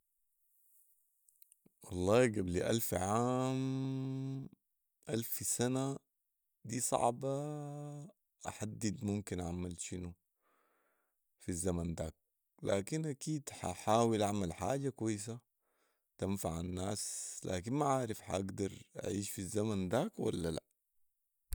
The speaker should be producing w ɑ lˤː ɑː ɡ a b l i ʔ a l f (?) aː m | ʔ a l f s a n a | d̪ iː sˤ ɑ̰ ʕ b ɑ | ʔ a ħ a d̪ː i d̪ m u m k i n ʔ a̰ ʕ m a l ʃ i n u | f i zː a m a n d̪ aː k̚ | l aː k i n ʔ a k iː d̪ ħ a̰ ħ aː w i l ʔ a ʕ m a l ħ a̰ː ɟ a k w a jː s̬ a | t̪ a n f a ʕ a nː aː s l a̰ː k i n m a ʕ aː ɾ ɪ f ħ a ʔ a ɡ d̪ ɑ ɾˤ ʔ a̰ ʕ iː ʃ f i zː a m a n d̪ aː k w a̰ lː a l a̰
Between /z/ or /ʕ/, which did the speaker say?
ʕ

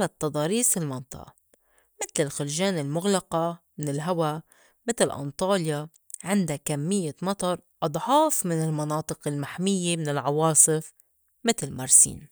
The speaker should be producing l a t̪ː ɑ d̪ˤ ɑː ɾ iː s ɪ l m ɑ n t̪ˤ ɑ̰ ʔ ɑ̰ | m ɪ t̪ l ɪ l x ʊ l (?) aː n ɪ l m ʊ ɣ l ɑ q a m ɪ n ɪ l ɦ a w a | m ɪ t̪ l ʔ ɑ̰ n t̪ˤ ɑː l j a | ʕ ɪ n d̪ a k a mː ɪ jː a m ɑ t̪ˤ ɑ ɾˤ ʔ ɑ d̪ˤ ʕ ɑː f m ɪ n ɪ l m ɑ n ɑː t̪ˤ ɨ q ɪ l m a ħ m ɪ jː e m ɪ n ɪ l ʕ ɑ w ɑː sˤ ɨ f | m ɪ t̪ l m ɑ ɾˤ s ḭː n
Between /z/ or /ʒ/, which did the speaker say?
ʒ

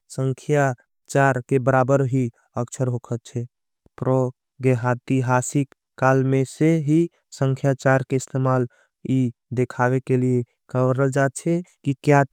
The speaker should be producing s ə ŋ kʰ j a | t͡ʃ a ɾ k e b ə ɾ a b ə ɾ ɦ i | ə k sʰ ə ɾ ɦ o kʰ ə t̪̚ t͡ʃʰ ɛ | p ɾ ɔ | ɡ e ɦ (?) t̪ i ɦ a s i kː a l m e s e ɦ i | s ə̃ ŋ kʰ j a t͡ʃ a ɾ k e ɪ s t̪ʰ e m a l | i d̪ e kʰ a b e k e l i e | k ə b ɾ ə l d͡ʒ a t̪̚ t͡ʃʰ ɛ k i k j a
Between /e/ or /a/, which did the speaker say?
a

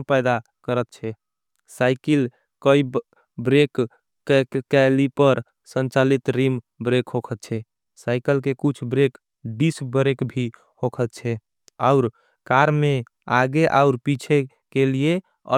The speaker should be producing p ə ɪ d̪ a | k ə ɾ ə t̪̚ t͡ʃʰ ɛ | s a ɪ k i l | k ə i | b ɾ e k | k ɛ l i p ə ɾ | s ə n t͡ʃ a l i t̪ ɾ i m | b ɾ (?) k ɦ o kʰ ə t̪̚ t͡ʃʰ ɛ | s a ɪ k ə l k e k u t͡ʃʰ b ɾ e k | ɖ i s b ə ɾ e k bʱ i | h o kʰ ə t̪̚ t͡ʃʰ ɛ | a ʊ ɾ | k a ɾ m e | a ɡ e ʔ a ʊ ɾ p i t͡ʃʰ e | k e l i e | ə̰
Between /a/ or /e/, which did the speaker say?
e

